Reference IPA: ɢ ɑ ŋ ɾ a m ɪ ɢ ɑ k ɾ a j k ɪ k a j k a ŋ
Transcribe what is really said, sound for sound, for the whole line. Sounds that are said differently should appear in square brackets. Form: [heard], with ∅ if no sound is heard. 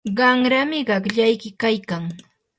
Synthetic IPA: ɢ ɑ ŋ ɾ a m ɪ ɢ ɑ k [ʎ] a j k ɪ k a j k a ŋ